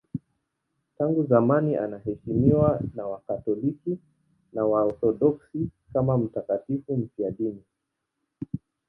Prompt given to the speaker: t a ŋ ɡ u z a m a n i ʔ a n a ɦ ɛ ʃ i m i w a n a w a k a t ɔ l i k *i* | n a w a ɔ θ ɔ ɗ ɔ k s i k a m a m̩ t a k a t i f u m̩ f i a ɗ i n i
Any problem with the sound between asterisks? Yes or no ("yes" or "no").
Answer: no